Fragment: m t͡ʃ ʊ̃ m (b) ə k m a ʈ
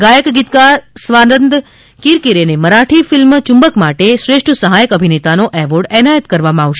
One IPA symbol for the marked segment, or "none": b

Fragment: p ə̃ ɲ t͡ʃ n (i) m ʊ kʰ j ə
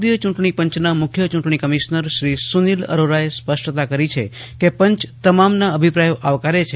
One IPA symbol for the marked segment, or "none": a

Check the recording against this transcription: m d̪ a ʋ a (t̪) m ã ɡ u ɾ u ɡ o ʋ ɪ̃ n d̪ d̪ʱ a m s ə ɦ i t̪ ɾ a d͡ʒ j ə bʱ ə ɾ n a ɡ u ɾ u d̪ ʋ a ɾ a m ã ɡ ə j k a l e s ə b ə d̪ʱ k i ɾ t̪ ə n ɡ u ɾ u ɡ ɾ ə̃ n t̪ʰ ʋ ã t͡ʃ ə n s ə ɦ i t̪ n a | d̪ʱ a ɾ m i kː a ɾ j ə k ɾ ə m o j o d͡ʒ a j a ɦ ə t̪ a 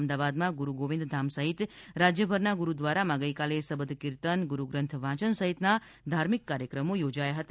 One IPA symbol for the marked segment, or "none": d̪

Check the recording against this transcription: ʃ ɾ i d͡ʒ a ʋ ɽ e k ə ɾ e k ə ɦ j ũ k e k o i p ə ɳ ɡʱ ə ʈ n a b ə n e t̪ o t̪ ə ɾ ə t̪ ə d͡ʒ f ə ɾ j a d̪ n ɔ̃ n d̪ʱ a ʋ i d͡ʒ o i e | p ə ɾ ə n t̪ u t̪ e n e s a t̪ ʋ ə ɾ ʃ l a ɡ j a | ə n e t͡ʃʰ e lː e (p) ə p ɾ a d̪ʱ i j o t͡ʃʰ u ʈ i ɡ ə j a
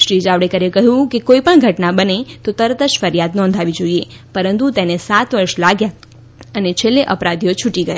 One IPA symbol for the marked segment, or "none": ʔ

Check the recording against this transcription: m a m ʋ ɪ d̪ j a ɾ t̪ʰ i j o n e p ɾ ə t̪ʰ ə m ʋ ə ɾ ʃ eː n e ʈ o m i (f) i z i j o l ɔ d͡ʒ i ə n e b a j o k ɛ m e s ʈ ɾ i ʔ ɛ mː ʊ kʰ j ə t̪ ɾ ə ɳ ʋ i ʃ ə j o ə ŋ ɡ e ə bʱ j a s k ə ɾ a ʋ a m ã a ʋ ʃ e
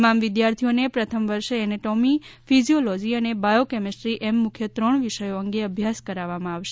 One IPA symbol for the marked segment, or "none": f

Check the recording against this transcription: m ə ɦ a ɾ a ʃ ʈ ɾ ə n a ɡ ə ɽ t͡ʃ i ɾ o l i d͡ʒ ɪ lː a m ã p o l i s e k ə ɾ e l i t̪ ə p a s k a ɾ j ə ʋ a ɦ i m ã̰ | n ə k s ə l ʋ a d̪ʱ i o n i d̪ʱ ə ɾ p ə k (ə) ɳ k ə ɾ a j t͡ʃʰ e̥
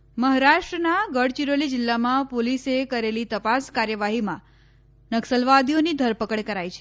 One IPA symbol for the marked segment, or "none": ə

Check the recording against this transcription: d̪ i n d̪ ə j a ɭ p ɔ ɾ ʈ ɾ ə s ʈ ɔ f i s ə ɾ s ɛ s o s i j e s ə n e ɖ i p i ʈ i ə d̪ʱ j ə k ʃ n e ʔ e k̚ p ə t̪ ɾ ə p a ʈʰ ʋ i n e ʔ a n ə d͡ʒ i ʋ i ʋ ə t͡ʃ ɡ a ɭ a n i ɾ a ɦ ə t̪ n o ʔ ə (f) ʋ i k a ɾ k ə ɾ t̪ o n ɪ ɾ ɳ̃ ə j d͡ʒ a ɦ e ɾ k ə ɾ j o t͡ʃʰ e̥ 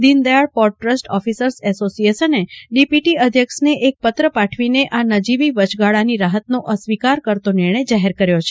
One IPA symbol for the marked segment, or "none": s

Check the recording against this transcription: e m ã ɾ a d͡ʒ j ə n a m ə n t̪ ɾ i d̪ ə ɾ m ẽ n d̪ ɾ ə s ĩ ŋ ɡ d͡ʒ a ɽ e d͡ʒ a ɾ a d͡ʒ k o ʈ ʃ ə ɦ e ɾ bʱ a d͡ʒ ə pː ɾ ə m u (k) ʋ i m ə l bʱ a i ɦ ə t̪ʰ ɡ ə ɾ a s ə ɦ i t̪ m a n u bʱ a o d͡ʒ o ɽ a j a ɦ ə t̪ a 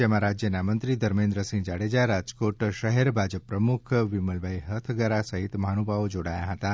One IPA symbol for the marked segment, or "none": kʰ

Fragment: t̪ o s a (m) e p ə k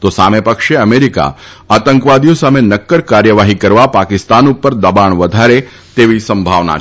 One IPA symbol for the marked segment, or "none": m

